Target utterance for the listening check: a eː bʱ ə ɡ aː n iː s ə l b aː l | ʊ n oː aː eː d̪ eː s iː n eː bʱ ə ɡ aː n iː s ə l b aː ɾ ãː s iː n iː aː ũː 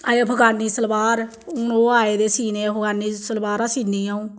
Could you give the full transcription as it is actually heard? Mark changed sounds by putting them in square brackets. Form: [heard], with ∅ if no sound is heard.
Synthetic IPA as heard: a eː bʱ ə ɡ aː n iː s ə l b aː [ɾ] | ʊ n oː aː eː d̪ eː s iː n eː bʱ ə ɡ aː n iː s ə l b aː ɾ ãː s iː n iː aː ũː